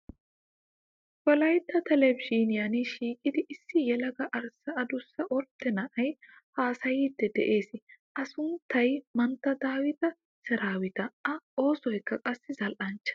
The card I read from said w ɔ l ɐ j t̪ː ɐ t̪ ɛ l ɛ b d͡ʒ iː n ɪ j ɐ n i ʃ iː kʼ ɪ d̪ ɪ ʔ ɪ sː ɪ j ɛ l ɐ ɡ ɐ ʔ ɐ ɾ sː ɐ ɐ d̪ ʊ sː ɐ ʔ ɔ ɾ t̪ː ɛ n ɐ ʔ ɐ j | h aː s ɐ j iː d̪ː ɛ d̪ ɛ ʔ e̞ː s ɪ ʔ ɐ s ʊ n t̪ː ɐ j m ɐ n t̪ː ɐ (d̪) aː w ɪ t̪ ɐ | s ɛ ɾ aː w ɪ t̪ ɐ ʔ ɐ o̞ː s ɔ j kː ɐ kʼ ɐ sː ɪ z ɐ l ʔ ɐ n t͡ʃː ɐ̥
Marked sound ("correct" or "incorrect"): correct